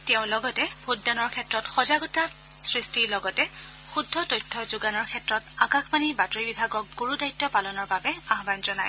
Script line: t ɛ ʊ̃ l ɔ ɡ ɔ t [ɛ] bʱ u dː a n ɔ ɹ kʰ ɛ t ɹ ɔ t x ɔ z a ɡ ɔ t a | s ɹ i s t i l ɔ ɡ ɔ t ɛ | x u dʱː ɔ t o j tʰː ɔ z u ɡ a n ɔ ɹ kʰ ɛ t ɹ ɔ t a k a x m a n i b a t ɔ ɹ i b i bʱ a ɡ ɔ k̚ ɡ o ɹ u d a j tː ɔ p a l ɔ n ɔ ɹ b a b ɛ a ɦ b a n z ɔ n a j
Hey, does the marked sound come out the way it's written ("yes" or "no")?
yes